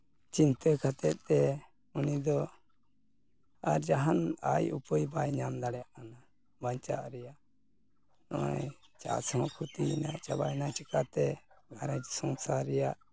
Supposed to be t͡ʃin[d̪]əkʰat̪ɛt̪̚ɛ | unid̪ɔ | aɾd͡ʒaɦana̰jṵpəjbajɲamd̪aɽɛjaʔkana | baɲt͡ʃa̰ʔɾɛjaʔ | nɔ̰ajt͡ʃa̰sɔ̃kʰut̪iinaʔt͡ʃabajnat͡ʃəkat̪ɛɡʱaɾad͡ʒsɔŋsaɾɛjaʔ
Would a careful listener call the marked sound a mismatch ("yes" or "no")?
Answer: yes